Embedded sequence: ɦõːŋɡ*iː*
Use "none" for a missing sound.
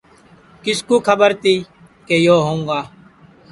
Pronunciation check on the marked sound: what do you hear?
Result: aː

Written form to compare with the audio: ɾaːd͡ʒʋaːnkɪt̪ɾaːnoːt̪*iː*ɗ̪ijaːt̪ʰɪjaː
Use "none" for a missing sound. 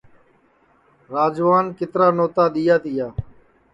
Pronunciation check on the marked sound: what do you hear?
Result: aː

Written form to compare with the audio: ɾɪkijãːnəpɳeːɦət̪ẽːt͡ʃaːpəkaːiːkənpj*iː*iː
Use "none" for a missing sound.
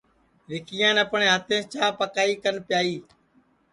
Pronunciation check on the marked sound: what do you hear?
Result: aː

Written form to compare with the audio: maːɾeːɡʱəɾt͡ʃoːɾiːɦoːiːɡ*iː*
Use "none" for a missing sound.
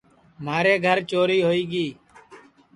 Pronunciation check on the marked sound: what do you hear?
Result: iː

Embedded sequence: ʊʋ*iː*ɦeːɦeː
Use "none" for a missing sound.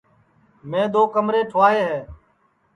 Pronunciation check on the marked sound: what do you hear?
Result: aː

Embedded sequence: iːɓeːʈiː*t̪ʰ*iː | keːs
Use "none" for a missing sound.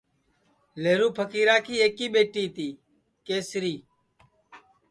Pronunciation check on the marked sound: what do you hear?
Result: t̪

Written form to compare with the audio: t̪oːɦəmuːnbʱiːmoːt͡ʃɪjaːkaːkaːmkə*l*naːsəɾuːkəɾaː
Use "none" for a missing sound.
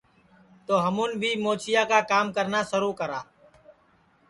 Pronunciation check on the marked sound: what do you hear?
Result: ɾ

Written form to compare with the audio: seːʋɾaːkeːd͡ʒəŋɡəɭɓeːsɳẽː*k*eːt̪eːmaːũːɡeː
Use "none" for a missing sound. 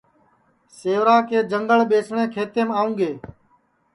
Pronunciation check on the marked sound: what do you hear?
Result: kʰ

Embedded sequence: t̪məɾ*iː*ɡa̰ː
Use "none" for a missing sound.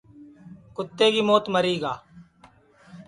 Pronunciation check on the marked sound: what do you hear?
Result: iː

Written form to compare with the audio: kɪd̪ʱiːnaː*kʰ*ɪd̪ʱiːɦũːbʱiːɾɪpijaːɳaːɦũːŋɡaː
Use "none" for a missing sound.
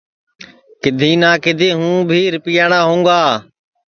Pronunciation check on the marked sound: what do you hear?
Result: k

